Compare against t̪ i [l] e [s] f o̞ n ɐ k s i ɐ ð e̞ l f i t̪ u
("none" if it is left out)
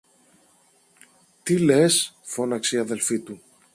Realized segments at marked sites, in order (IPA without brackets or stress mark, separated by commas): l, s